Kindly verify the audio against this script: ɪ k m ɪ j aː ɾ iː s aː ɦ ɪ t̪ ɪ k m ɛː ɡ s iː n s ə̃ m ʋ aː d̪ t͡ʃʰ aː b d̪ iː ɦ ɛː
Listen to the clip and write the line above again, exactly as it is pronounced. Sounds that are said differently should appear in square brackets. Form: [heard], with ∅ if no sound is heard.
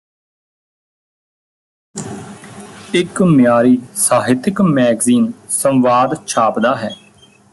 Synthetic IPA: ɪ k m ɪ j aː ɾ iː s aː ɦ ɪ t̪ ɪ k m ɛː ɡ [z] iː n s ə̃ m ʋ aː d̪ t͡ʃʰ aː [p] d̪ [aː] ɦ ɛː

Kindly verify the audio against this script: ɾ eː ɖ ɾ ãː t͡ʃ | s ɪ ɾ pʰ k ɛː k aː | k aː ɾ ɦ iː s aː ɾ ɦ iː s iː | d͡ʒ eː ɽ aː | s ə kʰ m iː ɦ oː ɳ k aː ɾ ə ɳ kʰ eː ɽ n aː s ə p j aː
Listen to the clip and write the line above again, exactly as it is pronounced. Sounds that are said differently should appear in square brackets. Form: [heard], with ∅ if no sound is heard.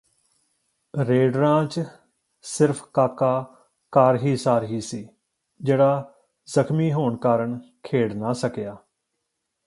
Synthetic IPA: ɾ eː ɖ ɾ ãː t͡ʃ | s ɪ ɾ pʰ k [aː] k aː | k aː ɾ ɦ iː s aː ɾ ɦ iː s iː | d͡ʒ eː ɽ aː | [z] ə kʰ m iː ɦ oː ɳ k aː ɾ ə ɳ kʰ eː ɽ n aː s ə [k] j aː

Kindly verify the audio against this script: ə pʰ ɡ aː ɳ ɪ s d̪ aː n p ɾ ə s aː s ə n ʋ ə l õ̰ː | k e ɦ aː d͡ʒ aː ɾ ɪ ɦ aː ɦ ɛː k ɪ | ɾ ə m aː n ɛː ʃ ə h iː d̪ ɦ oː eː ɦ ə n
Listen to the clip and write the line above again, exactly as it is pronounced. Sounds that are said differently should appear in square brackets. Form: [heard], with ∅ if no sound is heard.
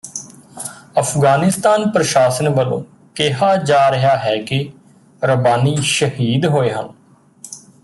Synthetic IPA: ə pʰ ɡ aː [n] ɪ s [t̪] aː n p ɾ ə [ʃ] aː s ə n ʋ ə l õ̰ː | k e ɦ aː d͡ʒ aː ɾ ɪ ɦ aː ɦ ɛː k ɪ | ɾ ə [b] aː n [iː] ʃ ə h iː d̪ ɦ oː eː ɦ ə n

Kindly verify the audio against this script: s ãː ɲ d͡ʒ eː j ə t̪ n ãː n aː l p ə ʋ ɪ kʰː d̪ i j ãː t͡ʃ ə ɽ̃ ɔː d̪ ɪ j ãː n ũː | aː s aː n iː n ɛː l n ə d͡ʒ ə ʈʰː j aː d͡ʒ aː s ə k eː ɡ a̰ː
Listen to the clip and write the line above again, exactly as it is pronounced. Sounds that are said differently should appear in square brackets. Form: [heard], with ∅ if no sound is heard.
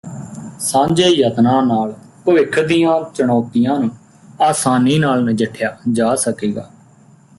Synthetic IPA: s ãː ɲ d͡ʒ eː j ə t̪ n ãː n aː l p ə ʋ ɪ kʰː d̪ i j ãː t͡ʃ ə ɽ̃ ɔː [t̪] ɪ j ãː n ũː | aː s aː n iː n [aː] l n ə d͡ʒ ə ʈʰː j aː d͡ʒ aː s ə k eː ɡ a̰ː

